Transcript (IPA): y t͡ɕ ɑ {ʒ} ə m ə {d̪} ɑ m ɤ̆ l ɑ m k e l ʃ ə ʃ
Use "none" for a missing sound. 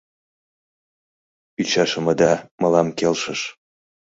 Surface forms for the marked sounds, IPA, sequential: ʃ, d̪

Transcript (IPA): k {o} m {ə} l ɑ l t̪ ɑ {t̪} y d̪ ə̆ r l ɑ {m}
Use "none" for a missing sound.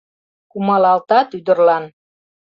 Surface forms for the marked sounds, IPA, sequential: u, ɑ, t̪, n

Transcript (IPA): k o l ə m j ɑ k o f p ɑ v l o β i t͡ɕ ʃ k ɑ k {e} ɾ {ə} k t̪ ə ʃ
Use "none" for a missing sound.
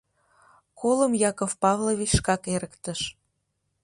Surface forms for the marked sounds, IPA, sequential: e, ə

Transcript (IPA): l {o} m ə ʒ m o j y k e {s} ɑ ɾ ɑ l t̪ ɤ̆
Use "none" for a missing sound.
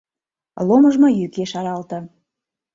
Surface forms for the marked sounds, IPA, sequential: o, ʃ

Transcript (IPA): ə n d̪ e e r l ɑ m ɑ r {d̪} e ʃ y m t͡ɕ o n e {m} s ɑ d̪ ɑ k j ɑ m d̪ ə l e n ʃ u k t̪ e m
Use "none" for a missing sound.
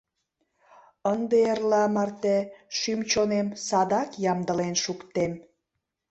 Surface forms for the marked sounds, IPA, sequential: t̪, m

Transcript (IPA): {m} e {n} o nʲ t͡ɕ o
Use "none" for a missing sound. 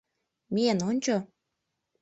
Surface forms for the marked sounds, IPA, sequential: m, n

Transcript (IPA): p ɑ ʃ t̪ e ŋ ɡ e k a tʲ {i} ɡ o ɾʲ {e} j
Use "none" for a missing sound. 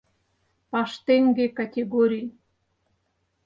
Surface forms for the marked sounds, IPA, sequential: e, i

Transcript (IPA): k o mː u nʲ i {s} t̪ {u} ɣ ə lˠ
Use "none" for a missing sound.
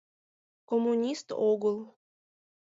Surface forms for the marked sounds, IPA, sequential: s, o

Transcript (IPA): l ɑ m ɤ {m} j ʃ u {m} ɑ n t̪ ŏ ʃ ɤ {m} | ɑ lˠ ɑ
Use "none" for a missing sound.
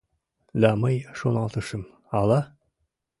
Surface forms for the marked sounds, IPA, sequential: none, n, m

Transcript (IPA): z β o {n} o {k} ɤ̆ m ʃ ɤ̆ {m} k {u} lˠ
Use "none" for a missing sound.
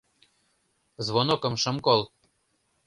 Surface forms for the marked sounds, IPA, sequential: n, k, m, o

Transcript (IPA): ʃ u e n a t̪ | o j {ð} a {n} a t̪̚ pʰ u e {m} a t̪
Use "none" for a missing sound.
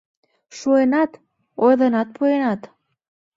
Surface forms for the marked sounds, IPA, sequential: ð, n, n

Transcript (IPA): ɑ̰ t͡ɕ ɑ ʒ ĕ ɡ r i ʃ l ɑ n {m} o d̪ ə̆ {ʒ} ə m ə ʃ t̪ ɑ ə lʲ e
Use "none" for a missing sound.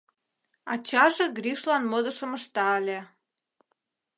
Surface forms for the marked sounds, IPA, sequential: m, ʃ

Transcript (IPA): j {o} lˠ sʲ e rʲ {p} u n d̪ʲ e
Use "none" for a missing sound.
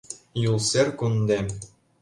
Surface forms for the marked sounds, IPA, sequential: u, k

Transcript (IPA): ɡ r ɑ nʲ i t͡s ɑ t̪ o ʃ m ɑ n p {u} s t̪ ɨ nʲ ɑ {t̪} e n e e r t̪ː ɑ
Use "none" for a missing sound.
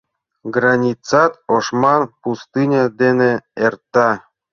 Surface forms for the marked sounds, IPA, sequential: u, d̪

